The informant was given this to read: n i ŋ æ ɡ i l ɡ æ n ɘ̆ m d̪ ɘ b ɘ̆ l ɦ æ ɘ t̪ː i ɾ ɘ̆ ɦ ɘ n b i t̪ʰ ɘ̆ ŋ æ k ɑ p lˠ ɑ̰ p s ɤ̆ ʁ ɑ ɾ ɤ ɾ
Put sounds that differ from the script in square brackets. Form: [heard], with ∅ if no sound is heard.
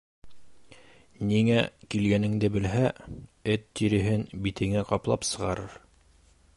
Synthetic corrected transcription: n i ŋ æ [k] i l ɡ æ n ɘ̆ [ŋ] d̪ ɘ b ɘ̆ l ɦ æ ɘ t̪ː i ɾ ɘ̆ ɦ ɘ n b i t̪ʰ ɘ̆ ŋ æ [q] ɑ p lˠ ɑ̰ p s ɤ̆ ʁ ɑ ɾ ɤ ɾ